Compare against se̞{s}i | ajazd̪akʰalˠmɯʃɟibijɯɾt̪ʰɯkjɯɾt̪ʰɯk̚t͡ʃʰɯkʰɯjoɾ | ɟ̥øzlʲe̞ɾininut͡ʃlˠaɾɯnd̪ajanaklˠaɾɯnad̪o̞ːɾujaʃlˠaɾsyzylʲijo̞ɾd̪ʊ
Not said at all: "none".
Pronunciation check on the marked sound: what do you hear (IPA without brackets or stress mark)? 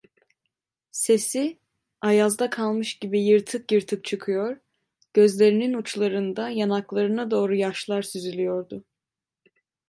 s